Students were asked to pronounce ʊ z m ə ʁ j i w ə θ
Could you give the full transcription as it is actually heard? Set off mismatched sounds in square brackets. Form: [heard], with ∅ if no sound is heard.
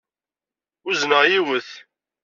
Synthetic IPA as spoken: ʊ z [n] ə ʁ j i w ə θ